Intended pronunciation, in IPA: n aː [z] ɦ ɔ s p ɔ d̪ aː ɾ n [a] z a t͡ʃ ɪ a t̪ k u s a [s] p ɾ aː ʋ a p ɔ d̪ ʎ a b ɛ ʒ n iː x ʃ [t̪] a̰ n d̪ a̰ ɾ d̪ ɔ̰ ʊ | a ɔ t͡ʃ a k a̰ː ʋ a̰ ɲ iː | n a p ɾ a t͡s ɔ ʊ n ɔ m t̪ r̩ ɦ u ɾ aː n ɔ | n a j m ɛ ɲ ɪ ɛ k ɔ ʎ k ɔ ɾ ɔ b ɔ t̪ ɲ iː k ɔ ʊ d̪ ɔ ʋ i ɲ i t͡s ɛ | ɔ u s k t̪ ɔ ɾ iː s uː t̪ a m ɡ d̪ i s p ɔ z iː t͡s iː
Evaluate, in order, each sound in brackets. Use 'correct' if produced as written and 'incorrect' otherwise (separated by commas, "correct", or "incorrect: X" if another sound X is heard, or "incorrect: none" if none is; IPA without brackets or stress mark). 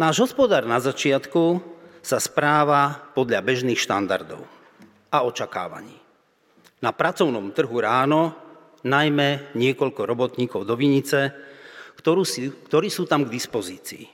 incorrect: ʒ, correct, correct, correct